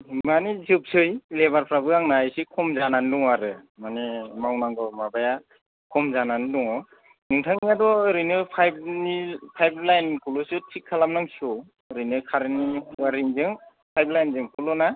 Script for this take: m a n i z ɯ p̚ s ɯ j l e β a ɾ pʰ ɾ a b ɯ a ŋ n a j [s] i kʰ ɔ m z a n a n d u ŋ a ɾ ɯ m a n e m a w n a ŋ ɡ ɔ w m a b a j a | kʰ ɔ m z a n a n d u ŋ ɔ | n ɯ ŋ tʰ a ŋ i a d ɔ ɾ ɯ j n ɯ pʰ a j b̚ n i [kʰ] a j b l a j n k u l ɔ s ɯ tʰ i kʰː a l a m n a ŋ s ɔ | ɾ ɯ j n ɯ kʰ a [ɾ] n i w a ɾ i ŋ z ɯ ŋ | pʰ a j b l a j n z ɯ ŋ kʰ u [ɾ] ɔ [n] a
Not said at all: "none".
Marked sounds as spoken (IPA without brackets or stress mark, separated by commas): s, pʰ, ɾ, l, n